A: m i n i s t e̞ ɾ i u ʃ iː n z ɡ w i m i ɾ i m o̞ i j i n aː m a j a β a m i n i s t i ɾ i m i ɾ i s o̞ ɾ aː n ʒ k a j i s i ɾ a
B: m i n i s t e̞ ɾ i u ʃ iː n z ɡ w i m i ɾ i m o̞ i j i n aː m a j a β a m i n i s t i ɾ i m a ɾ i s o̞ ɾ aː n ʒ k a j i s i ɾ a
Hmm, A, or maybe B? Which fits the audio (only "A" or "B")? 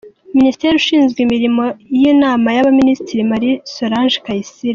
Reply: B